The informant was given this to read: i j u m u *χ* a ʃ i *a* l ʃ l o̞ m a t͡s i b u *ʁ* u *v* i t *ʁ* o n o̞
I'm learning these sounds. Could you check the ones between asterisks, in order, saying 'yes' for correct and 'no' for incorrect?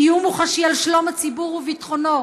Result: yes, yes, yes, yes, no

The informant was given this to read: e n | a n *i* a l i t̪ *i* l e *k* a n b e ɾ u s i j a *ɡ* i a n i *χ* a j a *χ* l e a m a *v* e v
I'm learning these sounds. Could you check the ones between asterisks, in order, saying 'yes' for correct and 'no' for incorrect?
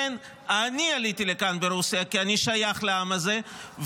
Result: yes, yes, yes, no, no, yes, no

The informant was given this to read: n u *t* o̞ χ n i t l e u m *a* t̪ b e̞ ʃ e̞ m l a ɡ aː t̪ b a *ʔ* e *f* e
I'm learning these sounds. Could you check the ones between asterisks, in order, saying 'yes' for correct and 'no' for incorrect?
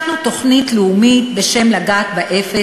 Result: yes, no, yes, yes

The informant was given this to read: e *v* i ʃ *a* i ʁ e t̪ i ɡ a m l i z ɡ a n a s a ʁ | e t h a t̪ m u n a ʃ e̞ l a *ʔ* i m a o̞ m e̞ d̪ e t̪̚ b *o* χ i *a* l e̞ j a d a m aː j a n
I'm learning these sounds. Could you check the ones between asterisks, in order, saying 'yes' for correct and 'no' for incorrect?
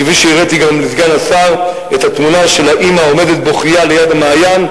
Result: yes, no, yes, yes, yes

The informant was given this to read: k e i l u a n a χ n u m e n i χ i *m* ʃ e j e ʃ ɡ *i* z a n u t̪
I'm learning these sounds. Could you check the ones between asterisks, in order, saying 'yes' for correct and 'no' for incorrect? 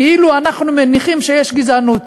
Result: yes, yes

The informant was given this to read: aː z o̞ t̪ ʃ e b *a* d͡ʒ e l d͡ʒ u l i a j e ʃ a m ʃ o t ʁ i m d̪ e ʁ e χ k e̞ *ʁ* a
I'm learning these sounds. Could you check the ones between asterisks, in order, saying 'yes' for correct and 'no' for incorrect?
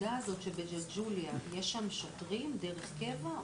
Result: no, no

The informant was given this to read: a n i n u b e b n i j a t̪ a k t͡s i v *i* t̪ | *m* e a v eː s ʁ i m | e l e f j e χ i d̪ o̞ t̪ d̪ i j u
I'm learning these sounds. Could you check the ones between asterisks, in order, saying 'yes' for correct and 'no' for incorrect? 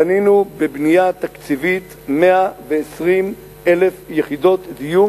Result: yes, yes

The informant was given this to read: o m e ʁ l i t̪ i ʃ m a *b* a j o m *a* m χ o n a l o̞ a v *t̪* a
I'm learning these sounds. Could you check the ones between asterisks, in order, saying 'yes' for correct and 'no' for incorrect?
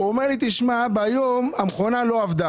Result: yes, yes, no

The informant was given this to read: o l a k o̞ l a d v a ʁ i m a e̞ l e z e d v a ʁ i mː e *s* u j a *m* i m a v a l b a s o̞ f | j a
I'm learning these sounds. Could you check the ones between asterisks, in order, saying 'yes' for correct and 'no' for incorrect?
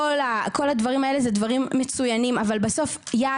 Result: no, no

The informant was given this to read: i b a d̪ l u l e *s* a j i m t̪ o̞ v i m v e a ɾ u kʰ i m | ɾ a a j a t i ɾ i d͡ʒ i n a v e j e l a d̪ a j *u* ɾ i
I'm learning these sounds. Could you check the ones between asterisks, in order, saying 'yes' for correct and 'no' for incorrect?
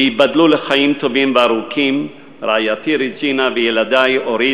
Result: no, no

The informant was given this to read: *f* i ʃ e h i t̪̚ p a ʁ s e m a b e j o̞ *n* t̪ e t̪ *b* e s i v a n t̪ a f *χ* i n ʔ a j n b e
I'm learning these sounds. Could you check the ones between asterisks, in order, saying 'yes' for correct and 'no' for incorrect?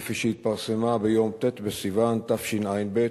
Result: yes, no, yes, no

